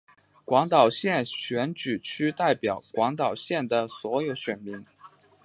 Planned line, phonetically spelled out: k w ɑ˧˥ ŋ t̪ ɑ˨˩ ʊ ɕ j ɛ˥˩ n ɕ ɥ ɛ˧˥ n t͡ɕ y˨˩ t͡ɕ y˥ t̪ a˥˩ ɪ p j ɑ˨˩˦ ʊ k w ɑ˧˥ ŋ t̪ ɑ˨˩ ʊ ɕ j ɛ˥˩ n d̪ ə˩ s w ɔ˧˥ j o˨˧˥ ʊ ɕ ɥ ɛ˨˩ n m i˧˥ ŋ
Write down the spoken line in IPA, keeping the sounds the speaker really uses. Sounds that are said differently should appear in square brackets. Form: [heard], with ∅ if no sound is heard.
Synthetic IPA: k w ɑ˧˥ ŋ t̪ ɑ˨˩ ʊ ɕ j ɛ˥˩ n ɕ ɥ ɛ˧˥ n t͡ɕ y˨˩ [t͡ɕʰ] y˥ t̪ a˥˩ ɪ p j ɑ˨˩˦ ʊ k w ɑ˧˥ ŋ t̪ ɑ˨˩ ʊ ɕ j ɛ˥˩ n d̪ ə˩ s w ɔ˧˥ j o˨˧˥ ʊ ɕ ɥ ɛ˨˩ n m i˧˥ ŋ